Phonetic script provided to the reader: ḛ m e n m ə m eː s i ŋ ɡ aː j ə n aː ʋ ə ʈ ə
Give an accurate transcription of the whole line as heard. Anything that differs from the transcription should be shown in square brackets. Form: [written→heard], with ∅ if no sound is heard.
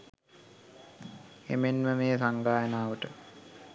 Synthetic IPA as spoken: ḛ m e n m ə m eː s [i→a] ŋ ɡ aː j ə n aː ʋ ə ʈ ə